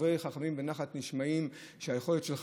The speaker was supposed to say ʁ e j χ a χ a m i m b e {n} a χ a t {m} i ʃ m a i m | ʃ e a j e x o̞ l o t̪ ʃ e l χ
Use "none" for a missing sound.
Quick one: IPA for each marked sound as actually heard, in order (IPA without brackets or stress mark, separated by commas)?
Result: n, n